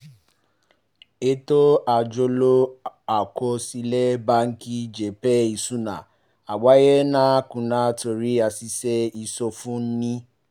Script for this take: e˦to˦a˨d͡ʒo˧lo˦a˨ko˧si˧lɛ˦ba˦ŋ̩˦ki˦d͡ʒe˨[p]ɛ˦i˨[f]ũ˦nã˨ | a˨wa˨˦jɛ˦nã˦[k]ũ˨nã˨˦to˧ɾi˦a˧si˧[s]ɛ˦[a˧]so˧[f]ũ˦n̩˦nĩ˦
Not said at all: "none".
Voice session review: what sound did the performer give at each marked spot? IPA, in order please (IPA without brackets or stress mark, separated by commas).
p, s, k, s, i˧, f